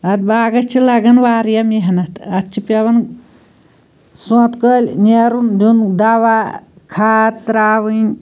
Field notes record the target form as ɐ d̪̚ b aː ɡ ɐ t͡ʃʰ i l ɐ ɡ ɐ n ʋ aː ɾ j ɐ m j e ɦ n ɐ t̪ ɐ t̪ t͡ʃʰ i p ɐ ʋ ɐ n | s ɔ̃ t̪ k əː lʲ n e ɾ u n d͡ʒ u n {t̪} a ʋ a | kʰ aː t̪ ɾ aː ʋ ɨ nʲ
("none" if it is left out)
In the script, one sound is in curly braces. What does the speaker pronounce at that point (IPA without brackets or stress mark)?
d̪